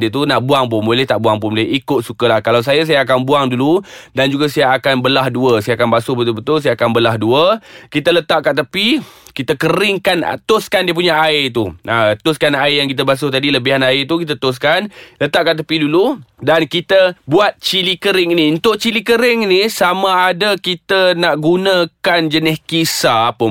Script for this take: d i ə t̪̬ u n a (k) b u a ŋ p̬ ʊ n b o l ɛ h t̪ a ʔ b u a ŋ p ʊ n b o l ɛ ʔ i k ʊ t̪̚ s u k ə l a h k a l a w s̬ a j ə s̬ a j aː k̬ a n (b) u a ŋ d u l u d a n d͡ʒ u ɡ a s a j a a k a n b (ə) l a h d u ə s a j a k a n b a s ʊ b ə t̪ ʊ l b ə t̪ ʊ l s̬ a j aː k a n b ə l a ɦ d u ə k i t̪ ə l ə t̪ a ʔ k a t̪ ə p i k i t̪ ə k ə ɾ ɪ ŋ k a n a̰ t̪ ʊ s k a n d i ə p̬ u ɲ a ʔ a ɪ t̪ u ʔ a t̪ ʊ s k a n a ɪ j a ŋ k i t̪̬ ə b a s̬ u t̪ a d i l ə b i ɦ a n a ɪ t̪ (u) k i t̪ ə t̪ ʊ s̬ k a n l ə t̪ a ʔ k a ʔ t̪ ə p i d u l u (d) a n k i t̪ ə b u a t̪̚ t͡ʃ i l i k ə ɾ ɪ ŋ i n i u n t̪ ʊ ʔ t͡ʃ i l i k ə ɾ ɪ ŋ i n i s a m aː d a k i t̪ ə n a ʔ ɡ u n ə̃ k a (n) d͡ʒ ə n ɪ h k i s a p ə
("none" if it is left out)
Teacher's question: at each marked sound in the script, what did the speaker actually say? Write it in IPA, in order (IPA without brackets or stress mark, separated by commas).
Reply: ʔ, b, ə, u, d, n